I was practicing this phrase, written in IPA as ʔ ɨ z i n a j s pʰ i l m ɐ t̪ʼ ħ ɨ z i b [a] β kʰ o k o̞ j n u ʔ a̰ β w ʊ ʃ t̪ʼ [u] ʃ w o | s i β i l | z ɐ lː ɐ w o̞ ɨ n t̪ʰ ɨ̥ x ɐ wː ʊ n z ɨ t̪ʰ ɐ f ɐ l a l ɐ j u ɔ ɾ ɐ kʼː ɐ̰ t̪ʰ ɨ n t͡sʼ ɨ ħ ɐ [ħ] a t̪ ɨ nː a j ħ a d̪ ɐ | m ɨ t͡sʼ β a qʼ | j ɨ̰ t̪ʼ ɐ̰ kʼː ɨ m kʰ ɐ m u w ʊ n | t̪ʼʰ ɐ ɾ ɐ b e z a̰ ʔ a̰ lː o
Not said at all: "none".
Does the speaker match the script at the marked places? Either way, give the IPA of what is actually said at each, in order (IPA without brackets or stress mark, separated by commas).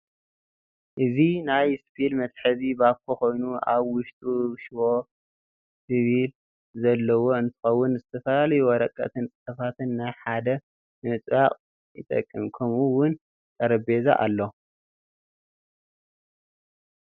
a, u, f